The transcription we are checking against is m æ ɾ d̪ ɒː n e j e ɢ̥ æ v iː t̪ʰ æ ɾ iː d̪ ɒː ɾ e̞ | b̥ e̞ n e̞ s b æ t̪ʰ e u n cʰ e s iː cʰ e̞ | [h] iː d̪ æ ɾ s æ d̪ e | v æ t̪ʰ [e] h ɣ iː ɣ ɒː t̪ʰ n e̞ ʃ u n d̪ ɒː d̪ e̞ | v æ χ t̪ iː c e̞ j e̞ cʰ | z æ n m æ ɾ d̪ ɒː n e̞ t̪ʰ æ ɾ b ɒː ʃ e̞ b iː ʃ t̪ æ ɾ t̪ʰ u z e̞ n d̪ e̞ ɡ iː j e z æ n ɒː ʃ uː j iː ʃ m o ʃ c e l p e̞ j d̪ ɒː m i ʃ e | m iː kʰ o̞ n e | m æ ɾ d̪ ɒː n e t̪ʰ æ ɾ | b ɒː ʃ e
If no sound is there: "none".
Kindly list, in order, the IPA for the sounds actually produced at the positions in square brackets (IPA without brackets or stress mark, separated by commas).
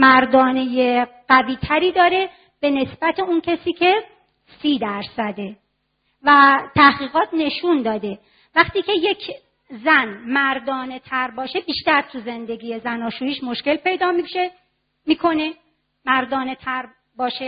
s, æ